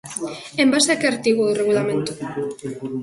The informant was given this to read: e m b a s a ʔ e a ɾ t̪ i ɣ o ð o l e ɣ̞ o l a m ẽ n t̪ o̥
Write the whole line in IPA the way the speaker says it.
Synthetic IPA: e m b a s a k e a ɾ t̪ i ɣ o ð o r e ɣ̞ u l a m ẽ n t̪ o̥